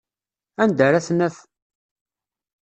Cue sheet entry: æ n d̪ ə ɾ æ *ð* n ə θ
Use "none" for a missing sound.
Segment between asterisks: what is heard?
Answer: θ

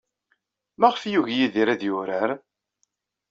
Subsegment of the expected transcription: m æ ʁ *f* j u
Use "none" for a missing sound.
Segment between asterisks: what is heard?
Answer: f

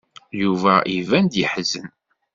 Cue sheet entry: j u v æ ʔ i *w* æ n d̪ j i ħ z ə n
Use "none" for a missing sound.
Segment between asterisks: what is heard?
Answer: v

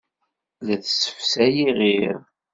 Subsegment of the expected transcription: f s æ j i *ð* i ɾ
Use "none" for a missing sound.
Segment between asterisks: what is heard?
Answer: ʁ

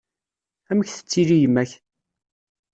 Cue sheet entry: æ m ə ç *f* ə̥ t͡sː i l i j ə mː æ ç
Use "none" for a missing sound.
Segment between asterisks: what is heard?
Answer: θ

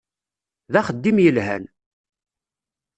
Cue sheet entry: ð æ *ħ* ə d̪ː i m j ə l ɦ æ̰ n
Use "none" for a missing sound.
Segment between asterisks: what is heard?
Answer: χ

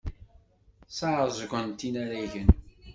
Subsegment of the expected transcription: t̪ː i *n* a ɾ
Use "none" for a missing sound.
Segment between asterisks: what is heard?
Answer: n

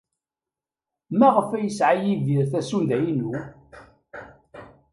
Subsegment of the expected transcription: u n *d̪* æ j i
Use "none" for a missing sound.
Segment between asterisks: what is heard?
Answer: d̪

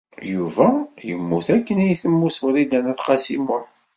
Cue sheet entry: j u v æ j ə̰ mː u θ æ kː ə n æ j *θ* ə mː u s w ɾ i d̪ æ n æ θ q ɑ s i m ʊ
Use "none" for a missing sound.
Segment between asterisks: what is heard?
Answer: θ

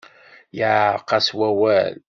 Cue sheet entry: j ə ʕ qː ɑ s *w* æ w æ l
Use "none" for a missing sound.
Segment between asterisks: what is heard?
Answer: w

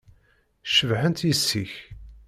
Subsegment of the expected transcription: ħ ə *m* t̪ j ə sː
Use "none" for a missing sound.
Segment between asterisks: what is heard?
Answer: n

